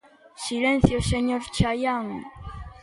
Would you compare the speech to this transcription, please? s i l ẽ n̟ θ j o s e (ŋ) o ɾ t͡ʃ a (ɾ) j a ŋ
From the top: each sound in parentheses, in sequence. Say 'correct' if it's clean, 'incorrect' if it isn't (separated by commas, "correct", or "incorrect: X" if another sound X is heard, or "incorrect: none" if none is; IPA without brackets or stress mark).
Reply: incorrect: ɲ, incorrect: none